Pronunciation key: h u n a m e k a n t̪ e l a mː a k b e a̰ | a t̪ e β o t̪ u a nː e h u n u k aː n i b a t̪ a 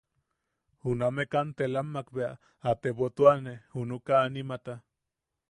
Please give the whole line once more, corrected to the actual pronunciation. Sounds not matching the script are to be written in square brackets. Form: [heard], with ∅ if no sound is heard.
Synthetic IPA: h u n a m e k a n t̪ e l a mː a k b e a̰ | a t̪ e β o t̪ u a [n] e h u n u k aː n i [m] a t̪ a